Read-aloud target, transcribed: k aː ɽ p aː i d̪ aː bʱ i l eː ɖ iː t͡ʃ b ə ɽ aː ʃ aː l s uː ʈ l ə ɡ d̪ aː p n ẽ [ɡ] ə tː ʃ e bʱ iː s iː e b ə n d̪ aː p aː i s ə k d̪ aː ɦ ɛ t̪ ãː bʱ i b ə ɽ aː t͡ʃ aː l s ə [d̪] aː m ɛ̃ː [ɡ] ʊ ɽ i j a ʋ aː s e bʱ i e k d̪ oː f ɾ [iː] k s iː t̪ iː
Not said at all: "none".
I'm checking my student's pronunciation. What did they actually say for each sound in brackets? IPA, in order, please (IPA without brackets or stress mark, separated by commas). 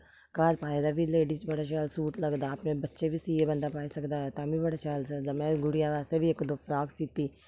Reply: b, d̪, ɡ, aː